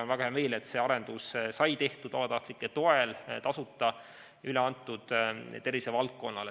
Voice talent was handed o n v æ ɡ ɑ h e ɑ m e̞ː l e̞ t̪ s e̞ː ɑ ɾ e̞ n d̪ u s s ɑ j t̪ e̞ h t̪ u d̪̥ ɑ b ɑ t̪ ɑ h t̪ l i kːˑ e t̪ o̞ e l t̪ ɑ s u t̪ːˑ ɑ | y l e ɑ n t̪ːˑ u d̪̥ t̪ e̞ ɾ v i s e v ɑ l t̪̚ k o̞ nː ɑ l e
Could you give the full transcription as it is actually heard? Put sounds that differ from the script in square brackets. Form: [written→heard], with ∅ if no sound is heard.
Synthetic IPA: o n v æ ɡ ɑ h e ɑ m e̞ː l e̞ t̪ s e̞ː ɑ ɾ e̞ n d̪ u s s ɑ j t̪ e̞ h t̪ u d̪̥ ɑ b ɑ t̪ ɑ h t̪ l i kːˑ e t̪ o̞ e l t̪ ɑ s u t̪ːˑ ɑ | y l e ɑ n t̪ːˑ u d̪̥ t̪ e̞ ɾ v i s e v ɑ l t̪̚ k o̞ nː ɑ l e